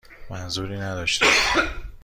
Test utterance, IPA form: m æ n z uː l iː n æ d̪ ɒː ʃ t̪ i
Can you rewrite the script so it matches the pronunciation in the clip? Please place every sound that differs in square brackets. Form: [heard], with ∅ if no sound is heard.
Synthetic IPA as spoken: m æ n z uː [ɾ] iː n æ d̪ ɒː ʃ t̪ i